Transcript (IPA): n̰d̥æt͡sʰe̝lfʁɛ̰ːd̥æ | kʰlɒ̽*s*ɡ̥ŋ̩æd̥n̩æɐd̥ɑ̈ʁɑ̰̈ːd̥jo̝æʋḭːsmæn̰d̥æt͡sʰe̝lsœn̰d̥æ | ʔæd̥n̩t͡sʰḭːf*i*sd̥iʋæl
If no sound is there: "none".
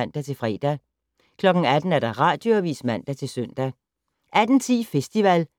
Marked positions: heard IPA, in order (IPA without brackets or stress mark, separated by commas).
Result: none, e